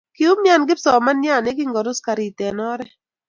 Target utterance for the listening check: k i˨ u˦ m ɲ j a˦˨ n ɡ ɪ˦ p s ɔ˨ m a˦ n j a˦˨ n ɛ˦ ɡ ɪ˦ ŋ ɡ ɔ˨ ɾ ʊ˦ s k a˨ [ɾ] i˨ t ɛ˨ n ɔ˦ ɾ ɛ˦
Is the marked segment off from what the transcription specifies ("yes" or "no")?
no